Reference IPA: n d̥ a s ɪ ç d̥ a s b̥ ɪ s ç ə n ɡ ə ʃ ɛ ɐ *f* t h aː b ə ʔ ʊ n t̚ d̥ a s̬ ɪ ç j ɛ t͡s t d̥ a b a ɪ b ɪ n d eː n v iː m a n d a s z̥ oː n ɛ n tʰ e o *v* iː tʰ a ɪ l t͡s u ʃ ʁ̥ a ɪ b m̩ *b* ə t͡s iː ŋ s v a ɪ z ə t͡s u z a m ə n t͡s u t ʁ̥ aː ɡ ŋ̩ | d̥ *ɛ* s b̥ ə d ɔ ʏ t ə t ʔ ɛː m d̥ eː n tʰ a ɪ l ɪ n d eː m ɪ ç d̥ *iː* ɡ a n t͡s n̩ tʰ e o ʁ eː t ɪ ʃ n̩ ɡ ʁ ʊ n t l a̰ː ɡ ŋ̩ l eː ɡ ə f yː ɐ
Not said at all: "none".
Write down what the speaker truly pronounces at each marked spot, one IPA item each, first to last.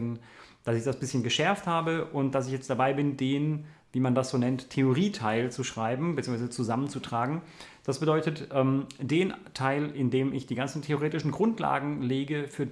f, ʁ, b, a, iː

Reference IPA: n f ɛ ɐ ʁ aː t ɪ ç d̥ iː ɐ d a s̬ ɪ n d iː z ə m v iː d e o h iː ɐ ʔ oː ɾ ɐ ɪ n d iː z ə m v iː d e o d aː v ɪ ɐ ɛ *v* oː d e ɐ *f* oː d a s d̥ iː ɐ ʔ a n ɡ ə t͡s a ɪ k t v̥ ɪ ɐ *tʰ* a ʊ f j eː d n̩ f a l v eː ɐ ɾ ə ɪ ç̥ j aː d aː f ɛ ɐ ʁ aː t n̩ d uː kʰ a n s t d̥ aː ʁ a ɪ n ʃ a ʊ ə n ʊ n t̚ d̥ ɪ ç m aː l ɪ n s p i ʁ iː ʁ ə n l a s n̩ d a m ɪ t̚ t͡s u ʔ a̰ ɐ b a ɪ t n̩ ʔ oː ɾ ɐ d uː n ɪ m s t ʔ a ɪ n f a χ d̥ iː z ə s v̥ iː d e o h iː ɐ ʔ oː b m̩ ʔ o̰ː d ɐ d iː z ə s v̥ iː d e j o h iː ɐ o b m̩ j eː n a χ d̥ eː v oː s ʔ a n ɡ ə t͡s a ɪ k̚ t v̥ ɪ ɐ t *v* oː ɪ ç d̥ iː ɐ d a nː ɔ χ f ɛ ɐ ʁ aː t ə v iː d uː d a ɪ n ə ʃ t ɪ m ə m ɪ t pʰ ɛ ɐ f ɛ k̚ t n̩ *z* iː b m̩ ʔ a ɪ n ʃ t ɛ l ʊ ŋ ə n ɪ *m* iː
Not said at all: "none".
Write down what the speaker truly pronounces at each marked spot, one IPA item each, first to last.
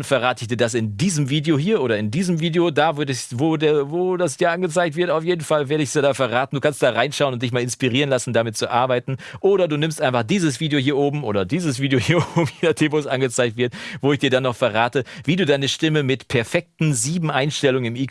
v, v, t, v, z, m

